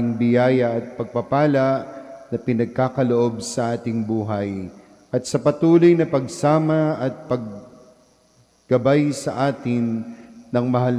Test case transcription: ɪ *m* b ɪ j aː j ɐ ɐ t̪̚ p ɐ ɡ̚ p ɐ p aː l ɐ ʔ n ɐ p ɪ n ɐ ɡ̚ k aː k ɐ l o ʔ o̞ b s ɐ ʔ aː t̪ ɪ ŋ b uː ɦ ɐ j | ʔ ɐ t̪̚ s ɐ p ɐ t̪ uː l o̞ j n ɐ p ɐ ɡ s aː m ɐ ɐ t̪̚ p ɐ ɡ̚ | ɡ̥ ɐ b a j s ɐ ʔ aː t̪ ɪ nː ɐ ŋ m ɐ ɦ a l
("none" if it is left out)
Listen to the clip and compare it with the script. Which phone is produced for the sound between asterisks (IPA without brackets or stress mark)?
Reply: ŋ